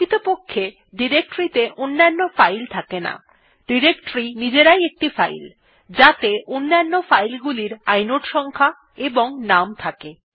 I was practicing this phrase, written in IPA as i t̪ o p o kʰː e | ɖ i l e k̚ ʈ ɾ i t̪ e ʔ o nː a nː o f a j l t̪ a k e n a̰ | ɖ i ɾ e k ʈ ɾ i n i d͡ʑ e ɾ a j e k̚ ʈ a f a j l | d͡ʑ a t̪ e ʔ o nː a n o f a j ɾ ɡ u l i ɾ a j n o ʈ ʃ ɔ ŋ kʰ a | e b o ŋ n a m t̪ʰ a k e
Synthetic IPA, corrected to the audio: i t̪ o p o kʰː e | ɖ i ɾ e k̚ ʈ ɾ i t̪ e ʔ o nː a nː o f a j l t̪ʰ a k e n a̰ | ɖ i ɾ e k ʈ ɾ i n i d͡ʑ e ɾ a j e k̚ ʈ i f a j l | d͡ʑ a t̪ e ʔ o nː a nː o f a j l ɡ u l i ɾ a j n o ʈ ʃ ɔ ŋ kʰ a | e b o ŋ n a m t̪ʰ a k e

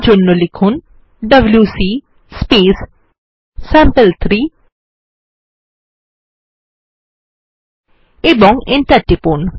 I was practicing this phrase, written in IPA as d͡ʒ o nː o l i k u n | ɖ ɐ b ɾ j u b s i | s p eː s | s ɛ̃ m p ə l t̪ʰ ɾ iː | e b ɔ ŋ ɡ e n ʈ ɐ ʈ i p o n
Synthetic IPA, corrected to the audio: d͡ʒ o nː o l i kʰ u n | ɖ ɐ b l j u s i | s p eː s | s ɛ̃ m p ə l t̪ʰ ɾ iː | e b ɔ ŋ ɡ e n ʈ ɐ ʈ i p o n

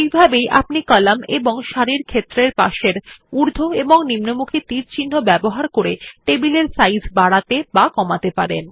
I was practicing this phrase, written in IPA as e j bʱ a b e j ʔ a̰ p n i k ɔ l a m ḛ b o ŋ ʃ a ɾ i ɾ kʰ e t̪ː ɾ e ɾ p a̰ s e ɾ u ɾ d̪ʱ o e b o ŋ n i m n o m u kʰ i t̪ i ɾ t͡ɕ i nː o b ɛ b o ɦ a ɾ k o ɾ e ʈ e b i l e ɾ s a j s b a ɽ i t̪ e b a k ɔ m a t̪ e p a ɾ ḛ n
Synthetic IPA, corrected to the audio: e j bʱ a b e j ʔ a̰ p n i k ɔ l a m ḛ b o ŋ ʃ a ɾ i ɾ kʰ e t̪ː ɾ e ɾ p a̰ ʃ e ɾ u ɾ d̪ʱ o e b o ŋ n i m n o m u kʰ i t̪ i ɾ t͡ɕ i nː o b ɛ b o ɦ a ɾ k o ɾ e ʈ e b i l e ɾ s a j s b a ɽ a t̪ e b a k ɔ m a t̪ e p a ɾ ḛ n

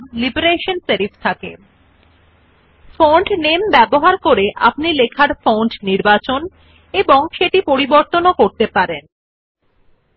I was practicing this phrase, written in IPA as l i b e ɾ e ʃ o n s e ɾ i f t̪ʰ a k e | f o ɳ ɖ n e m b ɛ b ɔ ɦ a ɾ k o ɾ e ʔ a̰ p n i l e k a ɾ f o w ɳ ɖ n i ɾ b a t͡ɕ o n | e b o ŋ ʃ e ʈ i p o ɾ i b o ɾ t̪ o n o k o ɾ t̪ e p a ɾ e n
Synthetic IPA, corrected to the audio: l i b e ɾ e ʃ o n s e ɾ i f t̪ʰ a k e | f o ɳ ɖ n e m b ɛ b o ɦ a ɾ k o ɾ e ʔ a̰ p n i l e kʰ a ɾ f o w ɳ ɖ n i ɾ b a t͡ɕ o n | e b o ŋ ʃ e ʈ i p o ɾ i b o ɾ t̪ o n o k o ɾ t̪ e p a ɾ e n

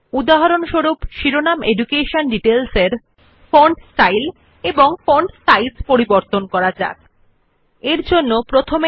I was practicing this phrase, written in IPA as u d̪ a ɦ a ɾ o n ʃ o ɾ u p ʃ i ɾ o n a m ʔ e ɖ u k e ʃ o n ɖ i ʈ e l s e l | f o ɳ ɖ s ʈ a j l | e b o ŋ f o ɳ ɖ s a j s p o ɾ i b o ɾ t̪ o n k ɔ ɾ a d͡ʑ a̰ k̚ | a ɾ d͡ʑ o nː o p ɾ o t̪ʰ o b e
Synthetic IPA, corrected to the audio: u d̪ a ɦ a ɾ o n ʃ o ɾ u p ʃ i ɾ o n a m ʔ e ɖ u k e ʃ o n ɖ i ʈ e l s e ɾ | f o ɳ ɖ s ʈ a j l | e b o ŋ f o ɳ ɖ s a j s p o ɾ i b o ɾ t̪ o n k ɔ ɾ a d͡ʑ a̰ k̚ | e ɾ d͡ʑ o nː o p ɾ o t̪ʰ o m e

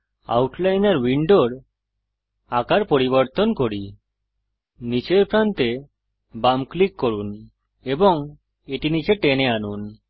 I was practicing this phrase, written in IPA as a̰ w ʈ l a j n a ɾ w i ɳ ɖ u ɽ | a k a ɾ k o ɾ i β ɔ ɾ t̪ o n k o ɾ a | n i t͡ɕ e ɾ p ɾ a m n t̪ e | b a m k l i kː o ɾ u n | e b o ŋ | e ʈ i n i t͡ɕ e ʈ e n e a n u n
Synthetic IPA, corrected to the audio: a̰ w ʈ l a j n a ɾ w i ɳ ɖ o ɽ | a k a ɾ p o ɾ i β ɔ ɾ t̪ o n k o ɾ i | n i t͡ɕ e ɾ p ɾ a n t̪ e | b a m k l i kː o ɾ u n | e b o ŋ | e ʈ i n i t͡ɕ e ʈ e n e a n u n

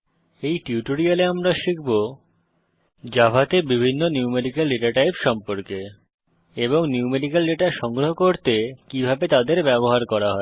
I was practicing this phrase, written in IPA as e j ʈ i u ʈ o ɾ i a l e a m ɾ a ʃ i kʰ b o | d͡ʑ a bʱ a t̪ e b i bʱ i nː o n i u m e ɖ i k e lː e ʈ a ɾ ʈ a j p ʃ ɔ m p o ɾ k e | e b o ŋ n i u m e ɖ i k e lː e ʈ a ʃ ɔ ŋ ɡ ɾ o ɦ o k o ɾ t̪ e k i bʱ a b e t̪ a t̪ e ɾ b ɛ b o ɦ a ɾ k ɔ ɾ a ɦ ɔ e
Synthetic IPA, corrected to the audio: e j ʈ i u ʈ o ɾ i a l e a m ɾ a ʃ i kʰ b o | d͡ʑ a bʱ a t̪ e b i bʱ i nː o n i u m e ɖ i k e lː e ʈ a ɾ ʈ a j p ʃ ɔ m p o ɾ k e | e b o ŋ n i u m e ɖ i k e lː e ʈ a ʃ ɔ ŋ ɡ ɾ o ɦ o k o ɾ t̪ e k i bʱ a b e t̪ a d̪ e ɾ b ɛ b o ɦ a ɾ k ɔ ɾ a ɦ ɔ e

